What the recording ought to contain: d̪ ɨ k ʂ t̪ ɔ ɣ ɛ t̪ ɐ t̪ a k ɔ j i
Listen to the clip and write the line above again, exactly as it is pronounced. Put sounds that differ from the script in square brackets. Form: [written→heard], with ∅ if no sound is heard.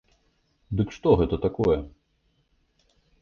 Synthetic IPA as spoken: d̪ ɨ k ʂ t̪ ɔ ɣ ɛ t̪ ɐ t̪ a k ɔ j [i→ɛ]